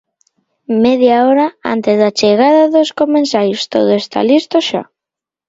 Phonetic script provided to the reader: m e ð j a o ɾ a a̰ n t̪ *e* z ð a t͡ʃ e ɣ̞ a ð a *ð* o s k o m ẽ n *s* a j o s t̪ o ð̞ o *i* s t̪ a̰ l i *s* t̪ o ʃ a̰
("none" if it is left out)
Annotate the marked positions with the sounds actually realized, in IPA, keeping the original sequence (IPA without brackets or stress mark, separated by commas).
e, ð, s, e, s